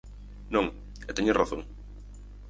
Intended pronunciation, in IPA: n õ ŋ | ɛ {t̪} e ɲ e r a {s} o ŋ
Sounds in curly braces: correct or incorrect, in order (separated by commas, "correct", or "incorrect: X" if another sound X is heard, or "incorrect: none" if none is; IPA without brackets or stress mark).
correct, incorrect: θ